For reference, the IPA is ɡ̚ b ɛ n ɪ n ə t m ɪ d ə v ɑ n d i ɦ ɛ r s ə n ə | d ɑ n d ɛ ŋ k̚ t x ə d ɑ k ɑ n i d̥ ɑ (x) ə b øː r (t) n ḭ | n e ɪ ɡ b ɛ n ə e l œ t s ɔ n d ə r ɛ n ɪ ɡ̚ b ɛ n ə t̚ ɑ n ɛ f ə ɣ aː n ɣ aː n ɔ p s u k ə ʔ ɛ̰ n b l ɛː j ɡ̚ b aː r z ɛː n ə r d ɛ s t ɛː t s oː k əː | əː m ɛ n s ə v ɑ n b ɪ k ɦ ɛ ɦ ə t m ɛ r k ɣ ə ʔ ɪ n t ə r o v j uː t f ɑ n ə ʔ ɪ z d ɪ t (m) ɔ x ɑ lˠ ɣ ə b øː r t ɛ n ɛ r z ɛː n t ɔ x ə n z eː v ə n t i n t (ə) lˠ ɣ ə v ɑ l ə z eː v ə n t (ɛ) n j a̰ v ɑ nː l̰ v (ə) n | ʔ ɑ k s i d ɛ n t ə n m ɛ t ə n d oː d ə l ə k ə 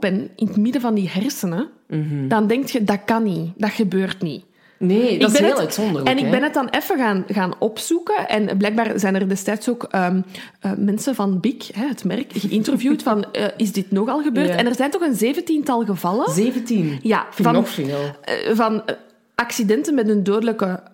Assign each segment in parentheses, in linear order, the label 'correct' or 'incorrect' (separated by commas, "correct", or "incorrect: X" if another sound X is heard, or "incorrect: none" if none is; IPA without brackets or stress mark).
correct, correct, incorrect: n, incorrect: ɑ, incorrect: i, incorrect: ɑ